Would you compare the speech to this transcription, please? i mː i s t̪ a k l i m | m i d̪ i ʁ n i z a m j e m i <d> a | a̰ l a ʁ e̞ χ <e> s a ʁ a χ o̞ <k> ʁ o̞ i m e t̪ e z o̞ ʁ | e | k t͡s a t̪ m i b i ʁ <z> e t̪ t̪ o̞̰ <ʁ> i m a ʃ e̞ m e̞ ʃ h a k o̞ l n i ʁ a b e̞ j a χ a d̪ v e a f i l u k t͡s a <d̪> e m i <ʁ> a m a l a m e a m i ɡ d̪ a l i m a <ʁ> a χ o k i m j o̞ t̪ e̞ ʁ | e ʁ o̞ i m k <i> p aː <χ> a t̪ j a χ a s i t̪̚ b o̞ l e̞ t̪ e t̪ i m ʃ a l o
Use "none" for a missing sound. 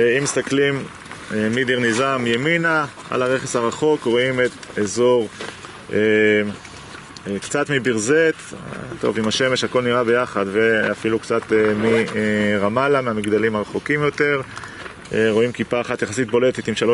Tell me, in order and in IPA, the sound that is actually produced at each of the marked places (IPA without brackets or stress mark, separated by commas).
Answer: n, e, k, z, v, t̪, ʁ, ʁ, i, χ